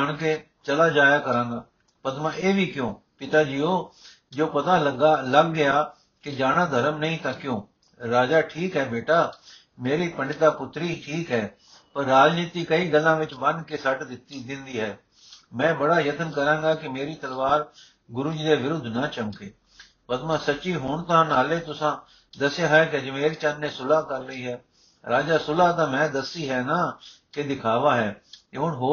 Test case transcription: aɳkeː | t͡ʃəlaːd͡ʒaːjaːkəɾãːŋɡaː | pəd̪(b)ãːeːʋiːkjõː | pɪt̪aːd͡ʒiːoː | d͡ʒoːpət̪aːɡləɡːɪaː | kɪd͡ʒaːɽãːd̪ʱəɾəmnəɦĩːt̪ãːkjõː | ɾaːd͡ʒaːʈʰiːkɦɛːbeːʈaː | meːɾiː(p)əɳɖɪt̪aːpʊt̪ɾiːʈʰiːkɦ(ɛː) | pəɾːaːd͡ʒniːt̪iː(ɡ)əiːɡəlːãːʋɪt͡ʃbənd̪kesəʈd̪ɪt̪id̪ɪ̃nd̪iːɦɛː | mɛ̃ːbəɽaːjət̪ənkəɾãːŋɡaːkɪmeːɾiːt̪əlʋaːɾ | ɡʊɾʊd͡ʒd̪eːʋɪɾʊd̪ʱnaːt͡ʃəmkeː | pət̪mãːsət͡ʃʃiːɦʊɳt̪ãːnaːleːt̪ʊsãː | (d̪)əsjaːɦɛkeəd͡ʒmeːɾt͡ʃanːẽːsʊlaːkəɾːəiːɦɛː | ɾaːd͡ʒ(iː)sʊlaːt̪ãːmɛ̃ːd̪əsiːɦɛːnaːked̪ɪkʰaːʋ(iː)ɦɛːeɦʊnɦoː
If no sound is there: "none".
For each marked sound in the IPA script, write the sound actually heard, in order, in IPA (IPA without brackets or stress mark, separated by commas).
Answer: m, p, ɛː, k, d̪, aː, aː